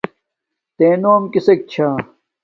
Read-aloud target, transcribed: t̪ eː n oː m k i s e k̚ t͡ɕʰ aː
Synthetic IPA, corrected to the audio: t̪ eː n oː m k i s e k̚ t͡ɕʰ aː

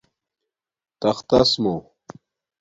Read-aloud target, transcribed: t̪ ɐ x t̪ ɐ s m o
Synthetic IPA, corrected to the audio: t̪ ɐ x t̪ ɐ s m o

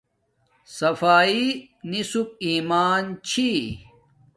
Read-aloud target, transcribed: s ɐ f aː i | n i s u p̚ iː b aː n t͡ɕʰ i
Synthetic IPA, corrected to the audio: s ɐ f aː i | n i s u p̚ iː m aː n t͡ɕʰ i

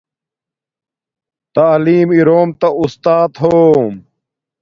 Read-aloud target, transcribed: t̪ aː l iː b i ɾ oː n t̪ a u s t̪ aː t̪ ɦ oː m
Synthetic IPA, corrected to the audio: t̪ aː l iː m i ɾ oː m t̪ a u s t̪ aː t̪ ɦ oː m

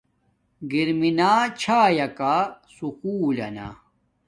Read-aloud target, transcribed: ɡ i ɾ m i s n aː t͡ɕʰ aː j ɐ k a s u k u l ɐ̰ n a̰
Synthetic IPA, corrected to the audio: ɡ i ɾ m i n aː t͡ɕʰ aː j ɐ k a s u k uː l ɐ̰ n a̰

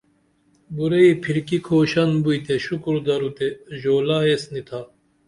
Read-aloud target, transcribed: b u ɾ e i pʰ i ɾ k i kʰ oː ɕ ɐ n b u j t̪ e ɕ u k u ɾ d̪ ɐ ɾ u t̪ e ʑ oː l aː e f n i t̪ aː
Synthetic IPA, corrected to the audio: b u ɾ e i pʰ i ɾ k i kʰ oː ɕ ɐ n b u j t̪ e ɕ u k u ɾ d̪ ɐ ɾ u t̪ e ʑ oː l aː e s n i t̪ʰ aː

